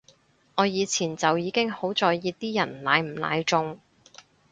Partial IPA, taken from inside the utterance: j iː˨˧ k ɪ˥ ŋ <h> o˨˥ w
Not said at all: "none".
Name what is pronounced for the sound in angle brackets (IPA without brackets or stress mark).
h